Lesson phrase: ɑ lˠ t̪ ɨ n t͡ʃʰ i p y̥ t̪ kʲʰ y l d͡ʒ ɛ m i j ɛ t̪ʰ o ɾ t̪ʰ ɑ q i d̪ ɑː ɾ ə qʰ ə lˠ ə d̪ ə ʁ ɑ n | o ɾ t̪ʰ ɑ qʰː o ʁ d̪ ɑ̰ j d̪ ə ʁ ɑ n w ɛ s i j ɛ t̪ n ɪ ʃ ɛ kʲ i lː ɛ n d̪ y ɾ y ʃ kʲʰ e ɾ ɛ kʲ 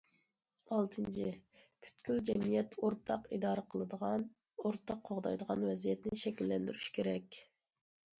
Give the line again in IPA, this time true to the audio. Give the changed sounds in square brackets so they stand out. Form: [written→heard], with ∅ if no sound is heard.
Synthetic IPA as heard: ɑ lˠ [t̪→t̪ʰ] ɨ n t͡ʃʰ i [p→pʰ] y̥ t̪ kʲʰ y l d͡ʒ ɛ m i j ɛ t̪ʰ o ɾ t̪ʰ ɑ q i d̪ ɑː ɾ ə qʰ ə lˠ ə d̪ ə ʁ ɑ n | o ɾ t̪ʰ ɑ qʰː o ʁ d̪ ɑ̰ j d̪ ə ʁ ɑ n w ɛ [s→z] i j ɛ t̪ n ɪ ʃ ɛ kʲ i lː ɛ n d̪ y ɾ y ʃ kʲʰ e ɾ ɛ kʲ